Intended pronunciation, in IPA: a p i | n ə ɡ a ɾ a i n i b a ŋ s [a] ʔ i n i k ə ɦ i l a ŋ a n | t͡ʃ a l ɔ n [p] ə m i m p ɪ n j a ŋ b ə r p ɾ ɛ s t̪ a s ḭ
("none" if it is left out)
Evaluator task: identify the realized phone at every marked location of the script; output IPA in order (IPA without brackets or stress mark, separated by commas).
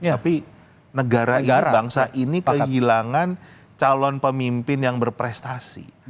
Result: a, p